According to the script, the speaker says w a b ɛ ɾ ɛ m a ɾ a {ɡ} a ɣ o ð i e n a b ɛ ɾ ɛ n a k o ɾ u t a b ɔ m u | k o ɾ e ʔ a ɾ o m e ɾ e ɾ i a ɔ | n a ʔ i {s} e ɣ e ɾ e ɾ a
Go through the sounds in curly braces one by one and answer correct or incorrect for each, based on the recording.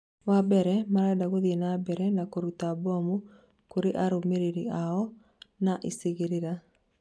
incorrect: d, correct

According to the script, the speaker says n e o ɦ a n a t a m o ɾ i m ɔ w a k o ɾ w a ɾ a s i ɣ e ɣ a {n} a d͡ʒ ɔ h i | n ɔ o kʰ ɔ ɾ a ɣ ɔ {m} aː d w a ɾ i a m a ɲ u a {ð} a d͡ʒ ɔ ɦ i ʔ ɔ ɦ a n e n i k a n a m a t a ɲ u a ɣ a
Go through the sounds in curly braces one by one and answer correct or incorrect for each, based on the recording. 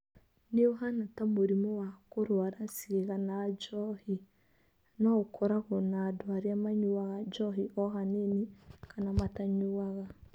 correct, incorrect: n, incorrect: ɣ

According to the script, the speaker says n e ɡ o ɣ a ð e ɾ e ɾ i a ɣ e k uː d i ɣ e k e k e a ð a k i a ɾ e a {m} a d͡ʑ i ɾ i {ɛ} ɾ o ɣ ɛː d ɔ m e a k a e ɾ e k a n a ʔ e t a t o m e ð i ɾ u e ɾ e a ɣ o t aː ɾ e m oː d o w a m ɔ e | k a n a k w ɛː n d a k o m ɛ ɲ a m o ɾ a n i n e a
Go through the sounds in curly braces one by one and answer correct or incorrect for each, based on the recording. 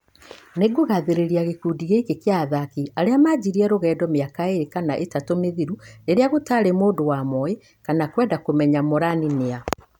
correct, correct

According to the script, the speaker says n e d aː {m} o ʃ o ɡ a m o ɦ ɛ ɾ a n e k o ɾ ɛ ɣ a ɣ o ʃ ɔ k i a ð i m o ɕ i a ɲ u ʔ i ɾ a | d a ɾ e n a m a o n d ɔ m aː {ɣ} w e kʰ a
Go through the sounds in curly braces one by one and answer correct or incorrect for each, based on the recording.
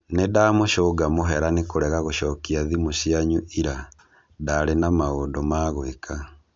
correct, correct

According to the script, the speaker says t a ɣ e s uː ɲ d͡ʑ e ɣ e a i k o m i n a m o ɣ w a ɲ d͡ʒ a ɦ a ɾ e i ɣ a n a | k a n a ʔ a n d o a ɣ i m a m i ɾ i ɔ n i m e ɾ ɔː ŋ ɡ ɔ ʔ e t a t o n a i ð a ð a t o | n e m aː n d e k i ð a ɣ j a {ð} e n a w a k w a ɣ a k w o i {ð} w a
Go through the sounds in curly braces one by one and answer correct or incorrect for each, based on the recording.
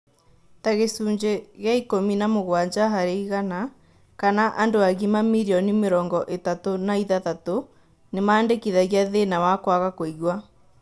correct, incorrect: ɣ

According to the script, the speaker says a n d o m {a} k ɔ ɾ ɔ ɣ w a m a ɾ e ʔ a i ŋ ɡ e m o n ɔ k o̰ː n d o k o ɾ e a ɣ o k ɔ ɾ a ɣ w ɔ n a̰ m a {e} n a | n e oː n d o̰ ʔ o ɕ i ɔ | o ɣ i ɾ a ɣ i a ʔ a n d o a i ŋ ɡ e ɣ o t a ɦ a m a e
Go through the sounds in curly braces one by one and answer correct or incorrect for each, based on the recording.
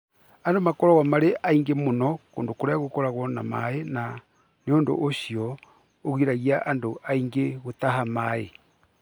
correct, correct

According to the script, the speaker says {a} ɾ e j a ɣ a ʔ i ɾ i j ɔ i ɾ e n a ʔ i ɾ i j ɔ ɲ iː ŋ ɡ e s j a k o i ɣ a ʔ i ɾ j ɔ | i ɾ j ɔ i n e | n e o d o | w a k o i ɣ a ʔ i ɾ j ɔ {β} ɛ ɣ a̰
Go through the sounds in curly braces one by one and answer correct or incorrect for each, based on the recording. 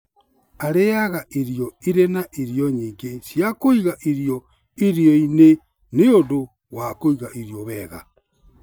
correct, correct

